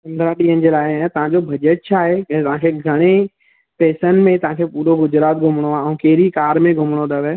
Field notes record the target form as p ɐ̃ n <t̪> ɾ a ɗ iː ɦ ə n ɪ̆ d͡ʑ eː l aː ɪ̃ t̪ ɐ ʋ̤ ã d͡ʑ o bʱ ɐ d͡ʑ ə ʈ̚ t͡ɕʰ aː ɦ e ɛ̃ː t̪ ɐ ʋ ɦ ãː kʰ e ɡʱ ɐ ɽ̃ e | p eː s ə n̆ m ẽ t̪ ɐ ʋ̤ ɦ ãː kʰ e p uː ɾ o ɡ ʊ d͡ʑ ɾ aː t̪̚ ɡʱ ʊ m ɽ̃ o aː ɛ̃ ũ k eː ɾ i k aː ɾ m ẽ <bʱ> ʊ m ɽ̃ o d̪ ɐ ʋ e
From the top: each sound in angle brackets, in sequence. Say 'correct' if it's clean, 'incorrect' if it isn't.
incorrect, incorrect

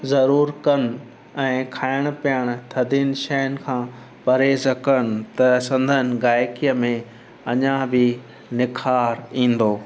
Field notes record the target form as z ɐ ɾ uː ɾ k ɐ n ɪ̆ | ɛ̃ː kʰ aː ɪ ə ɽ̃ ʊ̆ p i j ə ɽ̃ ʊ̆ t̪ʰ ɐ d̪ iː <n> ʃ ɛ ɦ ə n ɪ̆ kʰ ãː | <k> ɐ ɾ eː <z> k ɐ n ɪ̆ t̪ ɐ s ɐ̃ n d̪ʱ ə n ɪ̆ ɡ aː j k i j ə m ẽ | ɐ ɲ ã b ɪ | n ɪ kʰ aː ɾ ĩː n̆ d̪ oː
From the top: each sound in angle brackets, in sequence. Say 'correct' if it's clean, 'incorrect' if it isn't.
correct, incorrect, correct

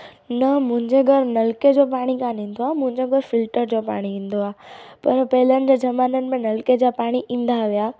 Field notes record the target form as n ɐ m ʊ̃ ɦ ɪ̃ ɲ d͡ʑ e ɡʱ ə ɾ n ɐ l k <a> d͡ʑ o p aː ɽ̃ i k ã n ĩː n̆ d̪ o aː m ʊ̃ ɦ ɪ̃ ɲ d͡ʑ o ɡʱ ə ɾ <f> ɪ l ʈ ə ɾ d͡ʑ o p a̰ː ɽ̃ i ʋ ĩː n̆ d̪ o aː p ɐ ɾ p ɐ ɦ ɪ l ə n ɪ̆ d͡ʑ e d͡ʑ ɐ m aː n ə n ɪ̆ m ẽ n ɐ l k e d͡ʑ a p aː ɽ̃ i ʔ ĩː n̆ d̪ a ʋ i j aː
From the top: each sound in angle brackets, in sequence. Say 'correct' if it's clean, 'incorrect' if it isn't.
incorrect, correct

